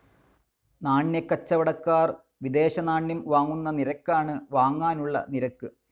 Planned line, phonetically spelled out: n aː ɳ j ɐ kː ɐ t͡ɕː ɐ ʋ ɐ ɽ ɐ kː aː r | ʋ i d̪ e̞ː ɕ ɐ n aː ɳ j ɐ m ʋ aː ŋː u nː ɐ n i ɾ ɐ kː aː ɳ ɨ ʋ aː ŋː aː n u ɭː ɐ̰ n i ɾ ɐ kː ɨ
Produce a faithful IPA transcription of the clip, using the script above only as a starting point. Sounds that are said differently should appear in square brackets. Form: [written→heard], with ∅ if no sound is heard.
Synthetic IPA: n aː ɳ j ɐ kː ɐ t͡ɕː ɐ ʋ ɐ ɽ ɐ kː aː r | ʋ i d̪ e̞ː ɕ ɐ n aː ɳ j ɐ m ʋ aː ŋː u nː ɐ n i ɾ ɐ kː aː ɳ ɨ ʋ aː ŋː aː n u ɭː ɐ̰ n i ɾ ɐ kː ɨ